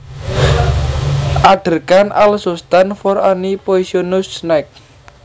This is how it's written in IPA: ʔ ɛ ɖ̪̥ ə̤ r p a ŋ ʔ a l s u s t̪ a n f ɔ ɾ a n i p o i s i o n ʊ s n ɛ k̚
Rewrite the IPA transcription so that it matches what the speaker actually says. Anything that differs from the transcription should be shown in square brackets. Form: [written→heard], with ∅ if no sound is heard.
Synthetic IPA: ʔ [ɛ→a] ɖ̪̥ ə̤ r [p→k] a [ŋ→n] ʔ a l s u s t̪ a n f ɔ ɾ a n i p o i s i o n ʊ s n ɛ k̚